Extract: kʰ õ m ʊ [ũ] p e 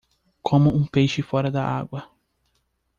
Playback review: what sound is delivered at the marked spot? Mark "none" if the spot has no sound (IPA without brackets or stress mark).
ũ